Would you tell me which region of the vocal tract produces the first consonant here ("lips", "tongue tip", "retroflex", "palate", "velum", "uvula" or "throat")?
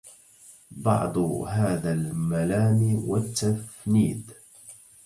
lips